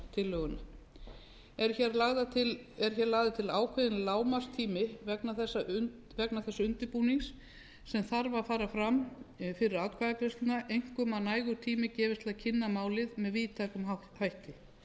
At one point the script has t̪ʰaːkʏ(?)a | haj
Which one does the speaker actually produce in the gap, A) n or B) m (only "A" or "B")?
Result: B